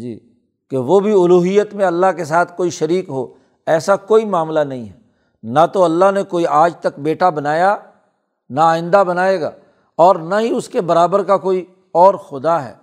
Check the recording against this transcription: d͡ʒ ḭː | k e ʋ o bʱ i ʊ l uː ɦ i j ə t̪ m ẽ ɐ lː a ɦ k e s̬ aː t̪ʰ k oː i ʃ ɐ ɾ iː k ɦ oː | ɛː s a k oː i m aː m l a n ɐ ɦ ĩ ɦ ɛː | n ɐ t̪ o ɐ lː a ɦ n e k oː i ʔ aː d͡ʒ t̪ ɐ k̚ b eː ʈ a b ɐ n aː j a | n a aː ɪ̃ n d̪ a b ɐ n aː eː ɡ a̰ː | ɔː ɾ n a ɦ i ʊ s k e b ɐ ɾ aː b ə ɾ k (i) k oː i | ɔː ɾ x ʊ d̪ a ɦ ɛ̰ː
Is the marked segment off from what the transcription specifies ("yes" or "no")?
yes